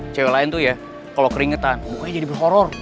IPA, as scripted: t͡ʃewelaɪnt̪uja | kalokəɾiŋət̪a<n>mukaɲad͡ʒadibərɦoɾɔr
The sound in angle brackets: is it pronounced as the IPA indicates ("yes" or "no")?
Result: yes